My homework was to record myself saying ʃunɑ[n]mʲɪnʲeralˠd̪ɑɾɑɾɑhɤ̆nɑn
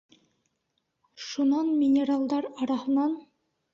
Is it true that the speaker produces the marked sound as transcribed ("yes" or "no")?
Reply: yes